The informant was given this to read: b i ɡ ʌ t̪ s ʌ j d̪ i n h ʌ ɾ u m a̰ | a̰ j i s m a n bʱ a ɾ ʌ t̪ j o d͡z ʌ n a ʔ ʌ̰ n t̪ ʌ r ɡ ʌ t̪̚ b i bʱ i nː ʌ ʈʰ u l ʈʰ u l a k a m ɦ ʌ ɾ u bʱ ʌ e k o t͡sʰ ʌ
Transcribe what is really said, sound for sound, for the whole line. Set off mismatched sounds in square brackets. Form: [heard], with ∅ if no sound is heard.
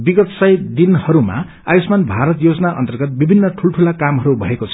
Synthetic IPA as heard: b i ɡ ʌ t̪ s ʌ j d̪ i n h ʌ ɾ u m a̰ | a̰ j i s m a n bʱ a ɾ ʌ t̪ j o d͡z ʌ n a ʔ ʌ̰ n t̪ ʌ r ɡ ʌ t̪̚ b i bʱ i nː ʌ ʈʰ u l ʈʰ u l a k a m ɦ ʌ ɾ u bʱ ʌ e k o t͡sʰ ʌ